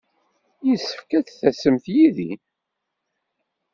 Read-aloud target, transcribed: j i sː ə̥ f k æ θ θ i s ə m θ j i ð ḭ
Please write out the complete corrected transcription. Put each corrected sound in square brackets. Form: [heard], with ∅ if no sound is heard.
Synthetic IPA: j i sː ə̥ f k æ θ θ [æ] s ə m θ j i ð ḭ